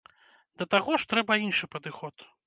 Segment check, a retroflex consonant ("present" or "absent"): present